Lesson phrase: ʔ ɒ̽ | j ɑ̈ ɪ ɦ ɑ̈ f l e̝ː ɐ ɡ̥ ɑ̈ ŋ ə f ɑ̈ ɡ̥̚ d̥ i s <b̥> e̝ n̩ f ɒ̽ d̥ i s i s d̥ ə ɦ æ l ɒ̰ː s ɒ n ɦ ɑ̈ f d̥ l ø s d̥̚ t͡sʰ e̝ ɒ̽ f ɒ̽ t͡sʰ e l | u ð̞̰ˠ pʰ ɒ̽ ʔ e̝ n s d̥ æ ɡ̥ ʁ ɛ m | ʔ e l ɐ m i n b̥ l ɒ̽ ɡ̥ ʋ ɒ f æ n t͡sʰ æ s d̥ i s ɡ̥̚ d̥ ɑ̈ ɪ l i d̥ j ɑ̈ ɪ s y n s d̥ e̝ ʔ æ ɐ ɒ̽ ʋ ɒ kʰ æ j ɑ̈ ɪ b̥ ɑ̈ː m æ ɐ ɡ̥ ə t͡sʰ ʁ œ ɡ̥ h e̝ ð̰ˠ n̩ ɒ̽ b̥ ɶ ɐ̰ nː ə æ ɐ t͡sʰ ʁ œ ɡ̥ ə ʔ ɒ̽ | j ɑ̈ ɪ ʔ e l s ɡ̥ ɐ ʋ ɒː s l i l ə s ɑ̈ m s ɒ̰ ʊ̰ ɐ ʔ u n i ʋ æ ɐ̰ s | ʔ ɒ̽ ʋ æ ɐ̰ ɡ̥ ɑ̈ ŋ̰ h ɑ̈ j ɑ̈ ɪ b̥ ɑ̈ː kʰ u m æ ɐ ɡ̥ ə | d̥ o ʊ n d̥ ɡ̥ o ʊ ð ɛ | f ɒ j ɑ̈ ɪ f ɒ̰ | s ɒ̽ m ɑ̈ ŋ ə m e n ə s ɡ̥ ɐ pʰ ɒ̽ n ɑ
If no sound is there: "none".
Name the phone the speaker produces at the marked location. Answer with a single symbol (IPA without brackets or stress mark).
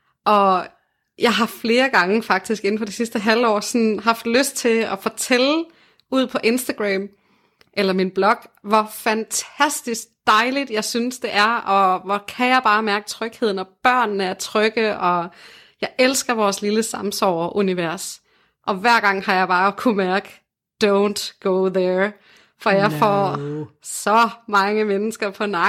ɡ̥